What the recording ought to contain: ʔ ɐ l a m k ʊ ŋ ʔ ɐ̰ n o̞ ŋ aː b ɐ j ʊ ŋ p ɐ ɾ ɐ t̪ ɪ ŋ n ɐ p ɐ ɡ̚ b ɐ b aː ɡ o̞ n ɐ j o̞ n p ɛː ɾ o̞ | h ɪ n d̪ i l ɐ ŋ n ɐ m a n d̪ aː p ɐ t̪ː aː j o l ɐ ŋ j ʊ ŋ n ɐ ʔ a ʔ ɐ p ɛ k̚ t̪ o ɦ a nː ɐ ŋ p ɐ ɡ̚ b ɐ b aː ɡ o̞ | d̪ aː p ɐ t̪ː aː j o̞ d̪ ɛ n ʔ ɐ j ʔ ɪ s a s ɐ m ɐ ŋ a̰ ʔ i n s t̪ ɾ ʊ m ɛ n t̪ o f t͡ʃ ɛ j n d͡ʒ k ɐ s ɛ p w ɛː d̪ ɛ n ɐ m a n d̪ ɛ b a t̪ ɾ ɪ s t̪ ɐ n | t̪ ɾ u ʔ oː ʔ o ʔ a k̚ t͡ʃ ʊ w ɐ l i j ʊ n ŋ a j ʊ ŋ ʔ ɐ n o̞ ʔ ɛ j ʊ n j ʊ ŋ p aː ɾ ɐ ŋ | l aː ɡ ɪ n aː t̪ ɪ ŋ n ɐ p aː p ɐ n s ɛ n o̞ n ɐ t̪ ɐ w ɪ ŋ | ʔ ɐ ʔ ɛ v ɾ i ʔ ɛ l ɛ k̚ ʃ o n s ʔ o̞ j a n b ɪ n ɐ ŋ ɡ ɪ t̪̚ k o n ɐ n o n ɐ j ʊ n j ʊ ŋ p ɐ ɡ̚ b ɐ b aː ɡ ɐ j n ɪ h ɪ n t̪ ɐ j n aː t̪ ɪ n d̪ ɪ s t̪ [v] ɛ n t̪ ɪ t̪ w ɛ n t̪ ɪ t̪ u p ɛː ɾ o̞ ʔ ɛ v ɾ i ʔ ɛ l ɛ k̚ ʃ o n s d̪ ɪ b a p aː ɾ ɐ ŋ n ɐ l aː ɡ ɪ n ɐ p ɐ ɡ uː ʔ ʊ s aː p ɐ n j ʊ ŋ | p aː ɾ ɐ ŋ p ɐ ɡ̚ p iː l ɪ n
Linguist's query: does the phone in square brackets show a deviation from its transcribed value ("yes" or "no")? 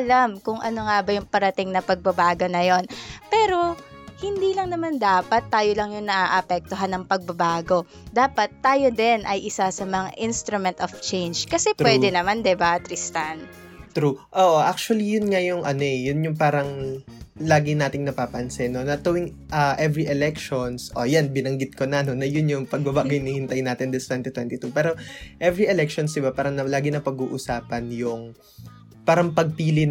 yes